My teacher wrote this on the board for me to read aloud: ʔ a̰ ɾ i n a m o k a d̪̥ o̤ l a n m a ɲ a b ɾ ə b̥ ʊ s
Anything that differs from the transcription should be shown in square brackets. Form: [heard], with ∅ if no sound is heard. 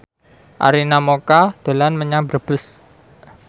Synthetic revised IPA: ʔ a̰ ɾ i n a m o k a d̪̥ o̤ l a n m [ə] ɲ a b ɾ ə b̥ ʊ s